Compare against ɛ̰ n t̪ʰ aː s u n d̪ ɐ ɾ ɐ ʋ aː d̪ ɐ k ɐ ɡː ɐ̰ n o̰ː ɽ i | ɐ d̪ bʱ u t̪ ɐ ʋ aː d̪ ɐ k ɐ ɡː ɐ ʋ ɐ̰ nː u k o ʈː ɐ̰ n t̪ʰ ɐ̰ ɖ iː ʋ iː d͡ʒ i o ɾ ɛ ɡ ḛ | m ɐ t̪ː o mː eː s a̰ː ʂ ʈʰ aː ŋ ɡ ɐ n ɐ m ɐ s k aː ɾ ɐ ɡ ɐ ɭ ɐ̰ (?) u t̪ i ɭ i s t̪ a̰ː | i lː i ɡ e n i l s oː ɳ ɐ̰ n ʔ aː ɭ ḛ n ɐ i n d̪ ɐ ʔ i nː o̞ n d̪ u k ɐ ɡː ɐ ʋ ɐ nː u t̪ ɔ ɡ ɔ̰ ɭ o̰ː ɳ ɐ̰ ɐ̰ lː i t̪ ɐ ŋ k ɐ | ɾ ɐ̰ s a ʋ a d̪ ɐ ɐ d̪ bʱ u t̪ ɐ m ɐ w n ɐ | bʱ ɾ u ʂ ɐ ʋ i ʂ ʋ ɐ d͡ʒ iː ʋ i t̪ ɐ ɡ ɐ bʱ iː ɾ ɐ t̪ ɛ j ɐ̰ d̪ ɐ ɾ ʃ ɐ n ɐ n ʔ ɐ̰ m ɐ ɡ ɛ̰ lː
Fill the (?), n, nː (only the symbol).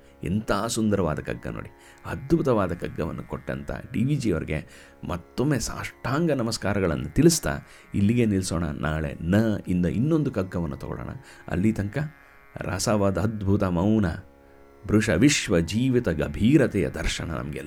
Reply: nː